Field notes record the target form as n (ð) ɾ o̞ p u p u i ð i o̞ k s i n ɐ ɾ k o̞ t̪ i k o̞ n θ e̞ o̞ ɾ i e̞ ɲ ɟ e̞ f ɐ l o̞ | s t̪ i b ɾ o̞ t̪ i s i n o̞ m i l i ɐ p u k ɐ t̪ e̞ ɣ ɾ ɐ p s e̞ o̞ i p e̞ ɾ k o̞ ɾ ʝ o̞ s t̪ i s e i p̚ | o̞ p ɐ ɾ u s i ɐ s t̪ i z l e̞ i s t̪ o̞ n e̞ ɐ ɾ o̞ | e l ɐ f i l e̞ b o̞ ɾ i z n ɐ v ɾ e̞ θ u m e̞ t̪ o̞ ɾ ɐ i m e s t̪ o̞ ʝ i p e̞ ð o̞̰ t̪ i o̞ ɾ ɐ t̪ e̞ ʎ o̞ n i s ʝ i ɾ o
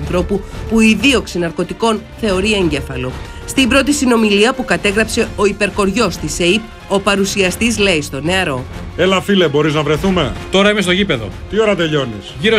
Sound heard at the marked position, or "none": θ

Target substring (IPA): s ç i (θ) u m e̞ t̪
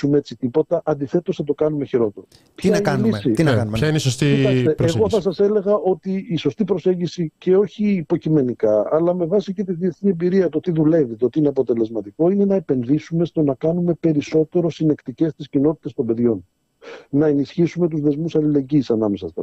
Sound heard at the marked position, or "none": s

